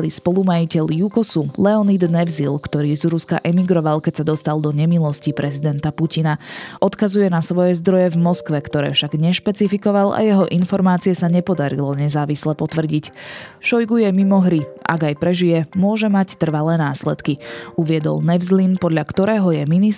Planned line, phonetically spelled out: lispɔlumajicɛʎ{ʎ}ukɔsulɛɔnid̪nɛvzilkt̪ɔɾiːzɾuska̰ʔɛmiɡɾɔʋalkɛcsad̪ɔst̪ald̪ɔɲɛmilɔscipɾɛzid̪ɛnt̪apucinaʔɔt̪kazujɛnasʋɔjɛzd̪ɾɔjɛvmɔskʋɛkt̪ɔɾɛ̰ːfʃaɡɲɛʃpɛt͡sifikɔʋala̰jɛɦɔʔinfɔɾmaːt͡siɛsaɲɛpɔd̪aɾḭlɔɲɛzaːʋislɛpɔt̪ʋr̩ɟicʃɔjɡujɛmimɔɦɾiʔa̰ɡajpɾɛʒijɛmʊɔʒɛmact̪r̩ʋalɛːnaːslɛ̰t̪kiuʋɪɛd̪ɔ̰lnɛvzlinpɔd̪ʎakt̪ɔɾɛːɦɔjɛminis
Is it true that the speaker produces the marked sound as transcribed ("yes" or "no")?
no